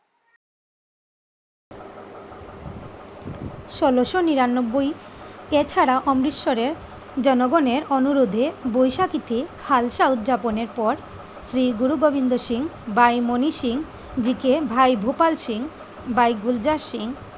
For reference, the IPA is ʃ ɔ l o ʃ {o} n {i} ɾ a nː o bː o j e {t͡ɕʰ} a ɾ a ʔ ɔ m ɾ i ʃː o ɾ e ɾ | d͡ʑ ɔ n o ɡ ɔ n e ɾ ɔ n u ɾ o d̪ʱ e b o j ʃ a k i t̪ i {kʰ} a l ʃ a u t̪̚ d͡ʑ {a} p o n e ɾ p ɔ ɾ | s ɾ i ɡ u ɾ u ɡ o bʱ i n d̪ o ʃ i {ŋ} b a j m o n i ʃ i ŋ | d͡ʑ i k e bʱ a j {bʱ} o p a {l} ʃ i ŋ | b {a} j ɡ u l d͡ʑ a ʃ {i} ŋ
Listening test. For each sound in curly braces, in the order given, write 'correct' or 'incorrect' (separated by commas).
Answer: correct, correct, correct, correct, correct, correct, correct, correct, correct, correct